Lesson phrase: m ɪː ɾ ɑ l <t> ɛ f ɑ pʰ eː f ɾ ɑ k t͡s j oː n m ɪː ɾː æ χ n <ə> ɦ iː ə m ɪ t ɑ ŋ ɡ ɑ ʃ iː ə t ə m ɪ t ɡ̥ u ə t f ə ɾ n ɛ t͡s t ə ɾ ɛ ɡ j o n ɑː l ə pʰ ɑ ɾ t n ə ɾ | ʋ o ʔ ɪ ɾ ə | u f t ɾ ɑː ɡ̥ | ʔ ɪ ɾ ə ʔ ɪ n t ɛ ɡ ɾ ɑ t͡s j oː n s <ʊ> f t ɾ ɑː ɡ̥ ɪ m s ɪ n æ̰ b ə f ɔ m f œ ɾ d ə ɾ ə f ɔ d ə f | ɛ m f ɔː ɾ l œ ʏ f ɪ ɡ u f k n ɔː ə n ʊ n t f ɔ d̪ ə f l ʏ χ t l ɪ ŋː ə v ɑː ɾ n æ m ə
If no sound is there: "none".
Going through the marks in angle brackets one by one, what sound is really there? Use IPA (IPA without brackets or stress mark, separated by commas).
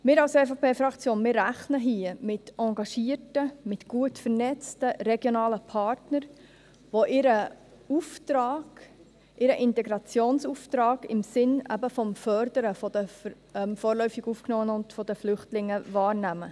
s, ə, u